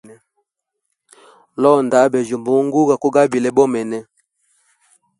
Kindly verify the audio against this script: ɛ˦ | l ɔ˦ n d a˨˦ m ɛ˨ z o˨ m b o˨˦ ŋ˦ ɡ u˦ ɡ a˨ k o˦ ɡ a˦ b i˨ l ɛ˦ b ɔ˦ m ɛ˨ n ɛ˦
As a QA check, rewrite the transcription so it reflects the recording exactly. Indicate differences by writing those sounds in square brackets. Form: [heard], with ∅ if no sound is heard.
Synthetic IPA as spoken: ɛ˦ | l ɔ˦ n d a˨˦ [b] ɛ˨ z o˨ m b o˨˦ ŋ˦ ɡ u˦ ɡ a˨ k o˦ ɡ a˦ b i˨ l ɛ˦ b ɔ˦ m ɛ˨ n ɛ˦